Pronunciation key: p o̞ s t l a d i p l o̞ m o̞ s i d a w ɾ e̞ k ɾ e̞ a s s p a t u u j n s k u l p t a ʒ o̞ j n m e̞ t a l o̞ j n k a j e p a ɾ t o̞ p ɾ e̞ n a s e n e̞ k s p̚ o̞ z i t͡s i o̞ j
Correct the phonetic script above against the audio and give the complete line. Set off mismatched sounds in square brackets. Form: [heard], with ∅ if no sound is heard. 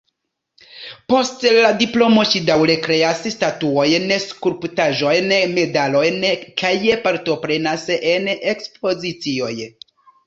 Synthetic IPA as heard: p o̞ s t l a d i p l o̞ m o̞ [ʃ] i d a w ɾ e̞ k ɾ e̞ a s s [t] a t u [o] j n s k u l p t a ʒ o̞ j n m e̞ [d] a l o̞ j n k a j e p a ɾ t o̞ p ɾ e̞ n a s e n e̞ k s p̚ o̞ z i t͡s i o̞ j

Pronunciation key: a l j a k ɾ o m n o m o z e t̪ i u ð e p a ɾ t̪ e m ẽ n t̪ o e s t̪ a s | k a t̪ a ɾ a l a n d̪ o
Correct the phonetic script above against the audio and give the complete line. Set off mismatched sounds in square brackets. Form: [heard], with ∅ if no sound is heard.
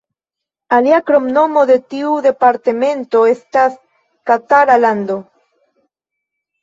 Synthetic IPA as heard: a l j a k ɾ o m n o m o [ð] e t̪ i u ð e p a ɾ t̪ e m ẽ n t̪ o e s t̪ a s | k a t̪ a ɾ a l a n d̪ o

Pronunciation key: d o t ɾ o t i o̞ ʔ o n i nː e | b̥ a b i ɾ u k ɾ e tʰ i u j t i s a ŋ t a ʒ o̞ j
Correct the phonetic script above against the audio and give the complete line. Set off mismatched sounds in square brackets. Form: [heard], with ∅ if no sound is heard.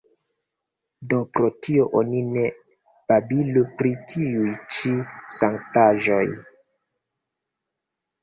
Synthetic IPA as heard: d o [p] ɾ o t i o̞ ʔ o n i [n] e | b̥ a b i [l] u [p] ɾ [i] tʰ i u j [t͡ʃ] i s a ŋ t a ʒ o̞ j

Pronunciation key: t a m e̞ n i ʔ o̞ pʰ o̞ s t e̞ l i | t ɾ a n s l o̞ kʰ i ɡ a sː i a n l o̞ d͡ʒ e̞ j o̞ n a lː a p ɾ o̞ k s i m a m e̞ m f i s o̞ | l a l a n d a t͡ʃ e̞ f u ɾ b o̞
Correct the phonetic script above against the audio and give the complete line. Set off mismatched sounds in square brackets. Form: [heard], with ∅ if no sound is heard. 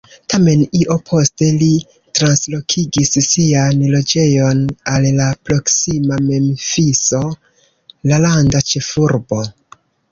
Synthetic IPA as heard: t a m e̞ n i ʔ o̞ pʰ o̞ s t e̞ l i | t ɾ a n s l o̞ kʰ i ɡ [i] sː i a n l o̞ d͡ʒ e̞ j o̞ n a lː a p ɾ o̞ k s i m a m e̞ m f i s o̞ | l a l a n d a t͡ʃ e̞ f u ɾ b o̞

